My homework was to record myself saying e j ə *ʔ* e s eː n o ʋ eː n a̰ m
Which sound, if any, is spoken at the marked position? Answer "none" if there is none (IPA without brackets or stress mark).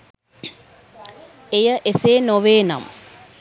ʔ